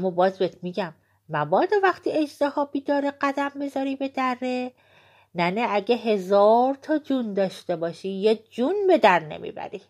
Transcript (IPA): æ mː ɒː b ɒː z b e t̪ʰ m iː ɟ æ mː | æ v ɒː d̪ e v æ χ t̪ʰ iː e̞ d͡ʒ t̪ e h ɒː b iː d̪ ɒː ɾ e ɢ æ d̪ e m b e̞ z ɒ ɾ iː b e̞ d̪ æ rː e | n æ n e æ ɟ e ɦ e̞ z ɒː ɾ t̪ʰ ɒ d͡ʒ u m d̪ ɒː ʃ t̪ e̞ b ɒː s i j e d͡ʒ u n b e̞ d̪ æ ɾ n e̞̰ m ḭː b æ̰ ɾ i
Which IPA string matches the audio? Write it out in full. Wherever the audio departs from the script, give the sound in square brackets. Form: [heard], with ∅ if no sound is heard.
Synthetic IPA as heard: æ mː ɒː b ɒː z b e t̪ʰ m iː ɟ æ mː | æ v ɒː d̪ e v æ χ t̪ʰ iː e̞ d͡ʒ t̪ e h ɒː b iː d̪ ɒː ɾ e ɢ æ d̪ [æ] m b e̞ z ɒ ɾ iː b e̞ d̪ æ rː e | n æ n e æ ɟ e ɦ e̞ z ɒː ɾ t̪ʰ ɒ d͡ʒ u [n] d̪ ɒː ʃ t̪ e̞ b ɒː [ʃ] i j e d͡ʒ u n b e̞ d̪ æ ɾ n e̞̰ m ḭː b æ̰ ɾ i